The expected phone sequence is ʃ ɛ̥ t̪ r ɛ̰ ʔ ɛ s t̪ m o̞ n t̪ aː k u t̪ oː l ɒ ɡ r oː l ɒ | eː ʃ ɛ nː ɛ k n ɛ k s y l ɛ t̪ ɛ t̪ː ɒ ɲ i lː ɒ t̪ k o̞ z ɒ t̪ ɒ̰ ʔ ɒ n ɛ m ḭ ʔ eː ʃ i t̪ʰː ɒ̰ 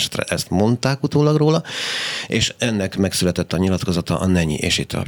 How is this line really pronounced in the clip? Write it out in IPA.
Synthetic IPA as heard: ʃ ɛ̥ t̪ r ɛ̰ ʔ ɛ s t̪ m o̞ n t̪ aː k u t̪ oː l ɒ ɡ r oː l ɒ | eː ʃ ɛ nː ɛ k m ɛ k s y l ɛ t̪ ɛ t̪ː ɒ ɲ i l ɒ t̪ k o̞ z ɒ t̪ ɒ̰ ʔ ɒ n ɛ ɲ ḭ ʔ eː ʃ i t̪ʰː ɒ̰